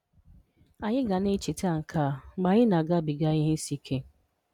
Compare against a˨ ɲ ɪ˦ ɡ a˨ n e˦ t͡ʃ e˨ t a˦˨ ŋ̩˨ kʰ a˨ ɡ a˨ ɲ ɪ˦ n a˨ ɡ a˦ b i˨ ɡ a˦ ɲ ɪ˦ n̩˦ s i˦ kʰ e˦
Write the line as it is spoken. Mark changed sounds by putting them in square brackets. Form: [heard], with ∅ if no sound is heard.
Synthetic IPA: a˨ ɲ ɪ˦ ɡ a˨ n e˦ t͡ʃ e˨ t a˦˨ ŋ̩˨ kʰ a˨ [ɡ͡b] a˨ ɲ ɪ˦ n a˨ ɡ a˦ b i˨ ɡ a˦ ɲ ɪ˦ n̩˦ s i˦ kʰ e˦

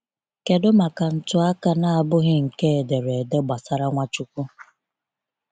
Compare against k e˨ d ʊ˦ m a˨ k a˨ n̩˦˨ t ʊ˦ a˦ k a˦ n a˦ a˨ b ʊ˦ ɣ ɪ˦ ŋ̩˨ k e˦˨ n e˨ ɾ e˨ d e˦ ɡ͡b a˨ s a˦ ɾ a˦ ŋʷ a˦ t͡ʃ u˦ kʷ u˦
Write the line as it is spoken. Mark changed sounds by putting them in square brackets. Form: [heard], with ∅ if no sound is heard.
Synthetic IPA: k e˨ d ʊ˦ m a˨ k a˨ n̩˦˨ t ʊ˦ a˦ k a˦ n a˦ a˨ b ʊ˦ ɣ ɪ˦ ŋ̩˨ k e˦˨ [d] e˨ ɾ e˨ d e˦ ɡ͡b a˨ s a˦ ɾ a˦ ŋʷ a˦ t͡ʃ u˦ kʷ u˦

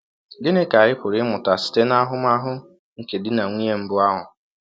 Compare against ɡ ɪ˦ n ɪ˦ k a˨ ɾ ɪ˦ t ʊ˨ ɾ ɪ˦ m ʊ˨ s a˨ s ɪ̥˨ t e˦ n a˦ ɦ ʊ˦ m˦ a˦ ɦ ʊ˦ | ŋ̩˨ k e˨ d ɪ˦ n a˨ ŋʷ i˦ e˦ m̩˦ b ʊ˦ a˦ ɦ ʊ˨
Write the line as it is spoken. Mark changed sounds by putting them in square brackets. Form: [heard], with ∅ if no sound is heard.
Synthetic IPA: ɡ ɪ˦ n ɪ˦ k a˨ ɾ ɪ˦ [p] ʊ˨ ɾ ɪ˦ m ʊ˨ [t] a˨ s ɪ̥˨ t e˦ n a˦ ɦ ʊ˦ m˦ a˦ ɦ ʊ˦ | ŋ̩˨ k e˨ d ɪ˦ n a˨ ŋʷ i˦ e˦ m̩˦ b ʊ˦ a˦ ɦ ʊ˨

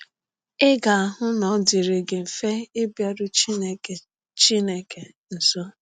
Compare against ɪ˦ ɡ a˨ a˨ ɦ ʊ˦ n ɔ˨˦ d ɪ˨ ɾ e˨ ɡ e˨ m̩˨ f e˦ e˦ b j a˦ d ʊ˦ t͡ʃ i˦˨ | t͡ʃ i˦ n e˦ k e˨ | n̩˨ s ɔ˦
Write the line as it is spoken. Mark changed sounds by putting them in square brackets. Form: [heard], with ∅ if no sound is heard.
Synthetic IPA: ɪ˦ ɡ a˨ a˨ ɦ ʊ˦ n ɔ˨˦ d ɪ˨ ɾ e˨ ɡ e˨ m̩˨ f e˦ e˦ b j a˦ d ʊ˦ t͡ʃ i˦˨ | t͡ʃ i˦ n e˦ k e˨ | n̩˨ s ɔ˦

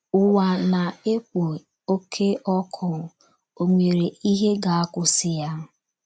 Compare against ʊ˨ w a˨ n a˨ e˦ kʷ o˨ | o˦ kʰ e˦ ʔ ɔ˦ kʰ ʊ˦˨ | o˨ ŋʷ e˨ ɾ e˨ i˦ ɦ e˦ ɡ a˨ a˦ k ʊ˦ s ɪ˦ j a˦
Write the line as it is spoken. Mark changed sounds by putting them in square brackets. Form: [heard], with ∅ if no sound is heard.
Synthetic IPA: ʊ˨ w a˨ n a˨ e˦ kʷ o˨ | o˦ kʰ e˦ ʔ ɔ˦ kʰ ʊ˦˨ | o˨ ŋʷ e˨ ɾ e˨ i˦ ɦ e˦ ɡ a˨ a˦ k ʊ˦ s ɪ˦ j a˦

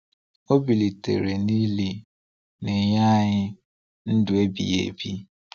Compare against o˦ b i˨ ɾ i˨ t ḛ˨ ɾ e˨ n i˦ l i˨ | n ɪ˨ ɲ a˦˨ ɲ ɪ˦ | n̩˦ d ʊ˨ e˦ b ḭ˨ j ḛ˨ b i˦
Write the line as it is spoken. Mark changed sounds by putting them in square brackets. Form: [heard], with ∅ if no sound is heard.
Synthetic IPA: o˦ b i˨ [l] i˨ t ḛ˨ ɾ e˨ n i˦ l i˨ | n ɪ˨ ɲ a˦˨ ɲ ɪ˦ | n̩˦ d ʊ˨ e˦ b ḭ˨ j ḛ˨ b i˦

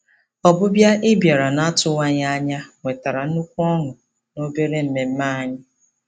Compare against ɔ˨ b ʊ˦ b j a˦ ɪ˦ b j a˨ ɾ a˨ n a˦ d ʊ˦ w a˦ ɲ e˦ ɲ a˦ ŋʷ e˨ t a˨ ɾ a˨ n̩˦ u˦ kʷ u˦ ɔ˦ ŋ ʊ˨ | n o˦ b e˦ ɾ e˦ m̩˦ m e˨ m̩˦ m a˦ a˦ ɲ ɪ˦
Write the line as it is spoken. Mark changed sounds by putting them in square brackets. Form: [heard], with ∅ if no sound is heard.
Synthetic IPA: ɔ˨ b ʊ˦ b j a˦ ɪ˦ b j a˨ ɾ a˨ n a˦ [t] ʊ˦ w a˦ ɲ [a˦] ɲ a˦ ŋʷ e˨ t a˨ ɾ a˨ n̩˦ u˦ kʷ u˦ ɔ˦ ŋ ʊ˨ | n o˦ b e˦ ɾ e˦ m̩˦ m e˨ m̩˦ m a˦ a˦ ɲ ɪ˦

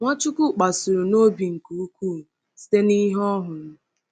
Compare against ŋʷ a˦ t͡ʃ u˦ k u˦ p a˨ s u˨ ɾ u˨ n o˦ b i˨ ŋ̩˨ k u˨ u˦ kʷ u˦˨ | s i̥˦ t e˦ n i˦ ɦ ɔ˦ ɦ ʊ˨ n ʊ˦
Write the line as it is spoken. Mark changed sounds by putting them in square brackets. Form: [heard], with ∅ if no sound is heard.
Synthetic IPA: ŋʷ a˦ t͡ʃ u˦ k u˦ [k͡p] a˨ s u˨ ɾ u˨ n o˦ b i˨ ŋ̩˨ k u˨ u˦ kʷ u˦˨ | s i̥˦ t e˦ n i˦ ɦ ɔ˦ ɦ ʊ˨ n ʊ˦

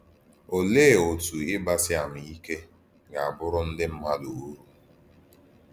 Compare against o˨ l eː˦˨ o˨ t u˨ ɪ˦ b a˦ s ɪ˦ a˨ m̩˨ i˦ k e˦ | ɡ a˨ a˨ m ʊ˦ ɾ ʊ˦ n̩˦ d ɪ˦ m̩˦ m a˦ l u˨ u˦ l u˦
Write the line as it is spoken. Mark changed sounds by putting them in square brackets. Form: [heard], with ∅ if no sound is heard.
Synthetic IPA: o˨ l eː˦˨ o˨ t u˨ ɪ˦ b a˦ s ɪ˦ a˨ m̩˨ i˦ k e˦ | ɡ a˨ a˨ [b] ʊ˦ ɾ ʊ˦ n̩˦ d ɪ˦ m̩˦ m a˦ l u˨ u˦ [ɾ] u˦

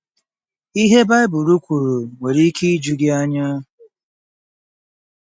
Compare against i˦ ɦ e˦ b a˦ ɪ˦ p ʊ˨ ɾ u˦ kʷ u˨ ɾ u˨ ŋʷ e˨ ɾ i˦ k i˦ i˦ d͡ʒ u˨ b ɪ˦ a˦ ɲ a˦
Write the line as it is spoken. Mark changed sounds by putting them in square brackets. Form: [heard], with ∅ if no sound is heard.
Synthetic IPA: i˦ ɦ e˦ b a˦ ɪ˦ [b] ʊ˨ ɾ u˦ kʷ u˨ ɾ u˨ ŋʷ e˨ ɾ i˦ k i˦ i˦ d͡ʒ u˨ [ɡ] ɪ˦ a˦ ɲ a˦

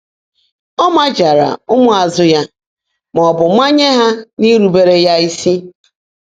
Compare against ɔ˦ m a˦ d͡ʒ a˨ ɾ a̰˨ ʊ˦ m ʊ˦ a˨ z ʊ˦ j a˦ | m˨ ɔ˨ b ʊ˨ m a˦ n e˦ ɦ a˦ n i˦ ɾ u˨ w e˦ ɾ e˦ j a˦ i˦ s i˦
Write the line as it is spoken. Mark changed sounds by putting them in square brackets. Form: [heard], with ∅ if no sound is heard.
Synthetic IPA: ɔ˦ m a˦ d͡ʒ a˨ ɾ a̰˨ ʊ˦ m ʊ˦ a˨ z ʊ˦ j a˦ | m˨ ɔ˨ b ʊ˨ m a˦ [ɲ] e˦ ɦ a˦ n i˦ ɾ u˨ [b] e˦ ɾ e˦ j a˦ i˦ s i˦

